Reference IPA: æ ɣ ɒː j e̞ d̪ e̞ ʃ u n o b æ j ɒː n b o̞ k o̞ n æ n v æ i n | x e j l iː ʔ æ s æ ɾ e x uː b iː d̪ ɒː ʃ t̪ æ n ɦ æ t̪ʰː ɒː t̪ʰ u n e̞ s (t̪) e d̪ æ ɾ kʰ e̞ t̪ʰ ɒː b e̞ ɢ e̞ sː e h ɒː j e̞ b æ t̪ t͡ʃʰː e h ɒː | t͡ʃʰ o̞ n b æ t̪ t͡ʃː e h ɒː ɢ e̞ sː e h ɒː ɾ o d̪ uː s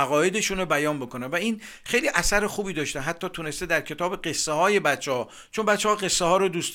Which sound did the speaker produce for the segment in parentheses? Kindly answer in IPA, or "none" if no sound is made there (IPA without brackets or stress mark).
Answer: t̪